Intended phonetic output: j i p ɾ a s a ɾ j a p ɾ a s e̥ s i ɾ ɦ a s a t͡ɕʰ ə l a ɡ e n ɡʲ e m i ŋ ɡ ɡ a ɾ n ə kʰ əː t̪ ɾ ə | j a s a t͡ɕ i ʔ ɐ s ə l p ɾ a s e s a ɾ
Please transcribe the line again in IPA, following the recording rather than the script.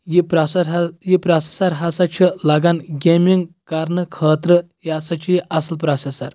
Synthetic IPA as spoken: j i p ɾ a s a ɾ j i p ɾ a s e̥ s a ɾ ɦ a s a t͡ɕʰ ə l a ɡ a n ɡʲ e m i ŋ ɡ k a ɾ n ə kʰ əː t̪ ɾ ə | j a s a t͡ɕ i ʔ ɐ s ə l p ɾ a s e s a ɾ